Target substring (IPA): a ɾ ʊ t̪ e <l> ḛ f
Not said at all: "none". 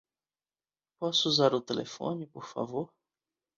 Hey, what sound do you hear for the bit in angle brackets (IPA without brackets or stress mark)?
l